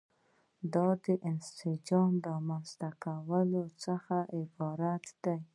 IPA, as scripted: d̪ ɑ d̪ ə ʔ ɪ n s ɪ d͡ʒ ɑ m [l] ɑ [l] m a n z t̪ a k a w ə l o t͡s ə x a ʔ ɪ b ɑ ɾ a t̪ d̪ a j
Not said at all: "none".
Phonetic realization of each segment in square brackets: ɾ, none

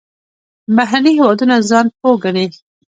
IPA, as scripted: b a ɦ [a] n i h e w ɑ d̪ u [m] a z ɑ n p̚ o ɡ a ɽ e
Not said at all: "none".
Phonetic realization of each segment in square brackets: a, n

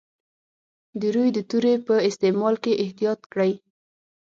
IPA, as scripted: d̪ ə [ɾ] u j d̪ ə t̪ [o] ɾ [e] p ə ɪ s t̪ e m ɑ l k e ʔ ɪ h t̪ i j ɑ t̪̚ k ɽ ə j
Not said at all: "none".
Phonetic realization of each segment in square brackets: ɾ, u, e

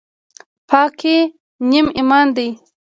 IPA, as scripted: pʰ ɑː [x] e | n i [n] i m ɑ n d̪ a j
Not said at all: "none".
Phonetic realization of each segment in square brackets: k, m

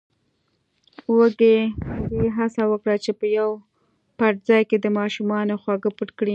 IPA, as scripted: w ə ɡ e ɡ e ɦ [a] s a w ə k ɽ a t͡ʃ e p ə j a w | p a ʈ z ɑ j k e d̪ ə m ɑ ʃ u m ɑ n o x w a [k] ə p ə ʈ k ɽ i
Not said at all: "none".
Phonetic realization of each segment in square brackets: a, ɡ

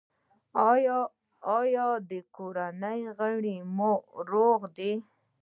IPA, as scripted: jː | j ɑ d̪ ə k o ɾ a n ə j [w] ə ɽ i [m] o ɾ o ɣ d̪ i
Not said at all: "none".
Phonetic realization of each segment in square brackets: ɣ, m

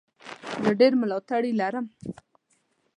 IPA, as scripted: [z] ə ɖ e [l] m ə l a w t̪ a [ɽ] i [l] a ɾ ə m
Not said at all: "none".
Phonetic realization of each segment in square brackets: z, ɾ, ɽ, l

